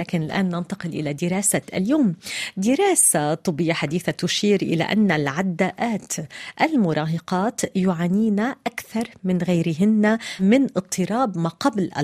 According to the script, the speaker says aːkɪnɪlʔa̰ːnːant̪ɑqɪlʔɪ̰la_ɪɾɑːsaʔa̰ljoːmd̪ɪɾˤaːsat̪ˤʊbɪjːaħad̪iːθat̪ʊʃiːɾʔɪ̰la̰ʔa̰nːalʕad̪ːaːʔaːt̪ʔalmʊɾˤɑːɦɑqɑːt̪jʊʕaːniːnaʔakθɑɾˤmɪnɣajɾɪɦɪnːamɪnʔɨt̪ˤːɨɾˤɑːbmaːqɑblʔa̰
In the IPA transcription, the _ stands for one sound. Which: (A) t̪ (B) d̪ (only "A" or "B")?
B